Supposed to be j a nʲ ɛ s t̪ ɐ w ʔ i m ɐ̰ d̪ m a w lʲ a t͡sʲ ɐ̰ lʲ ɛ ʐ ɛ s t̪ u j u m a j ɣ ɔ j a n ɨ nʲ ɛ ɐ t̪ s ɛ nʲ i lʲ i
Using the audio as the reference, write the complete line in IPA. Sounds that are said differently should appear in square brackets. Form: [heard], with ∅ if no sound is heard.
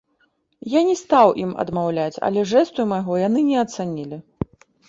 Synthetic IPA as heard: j a nʲ ɛ s t̪ [a] w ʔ i m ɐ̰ d̪ m a w lʲ a t͡sʲ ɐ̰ lʲ ɛ ʐ ɛ s t̪ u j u m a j ɣ ɔ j a n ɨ nʲ ɛ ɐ t̪ s [a] nʲ i lʲ i